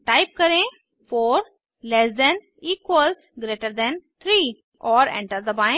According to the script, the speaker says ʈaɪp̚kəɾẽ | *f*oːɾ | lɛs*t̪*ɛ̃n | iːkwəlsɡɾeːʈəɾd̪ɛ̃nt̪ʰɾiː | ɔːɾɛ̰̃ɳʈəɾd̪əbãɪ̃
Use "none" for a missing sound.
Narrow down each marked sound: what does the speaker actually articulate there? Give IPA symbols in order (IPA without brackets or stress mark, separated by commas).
f, d̪